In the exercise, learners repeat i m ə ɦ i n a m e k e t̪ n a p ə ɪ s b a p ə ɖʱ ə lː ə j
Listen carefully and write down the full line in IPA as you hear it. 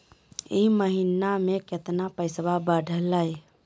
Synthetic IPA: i m ə ɦ i n a m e k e t̪ n a p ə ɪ s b a b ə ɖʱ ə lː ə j